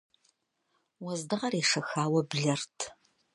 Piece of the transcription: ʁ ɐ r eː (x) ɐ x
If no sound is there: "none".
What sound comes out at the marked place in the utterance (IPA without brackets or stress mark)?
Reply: ʂ